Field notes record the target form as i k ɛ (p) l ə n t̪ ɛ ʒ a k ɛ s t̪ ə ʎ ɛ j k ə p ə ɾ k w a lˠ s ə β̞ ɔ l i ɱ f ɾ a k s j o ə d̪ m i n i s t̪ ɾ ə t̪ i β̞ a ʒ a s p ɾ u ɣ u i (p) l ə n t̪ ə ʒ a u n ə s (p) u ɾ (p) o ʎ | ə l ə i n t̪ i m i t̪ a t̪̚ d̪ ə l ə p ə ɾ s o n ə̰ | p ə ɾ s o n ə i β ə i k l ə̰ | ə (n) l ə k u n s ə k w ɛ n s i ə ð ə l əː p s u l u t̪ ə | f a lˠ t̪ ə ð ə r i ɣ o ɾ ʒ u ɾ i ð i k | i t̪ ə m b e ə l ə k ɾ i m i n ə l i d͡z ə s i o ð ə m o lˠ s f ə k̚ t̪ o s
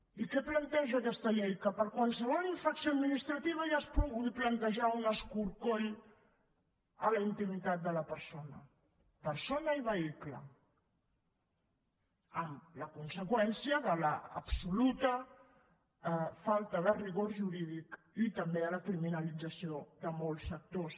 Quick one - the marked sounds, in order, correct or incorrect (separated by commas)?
correct, correct, incorrect, incorrect, incorrect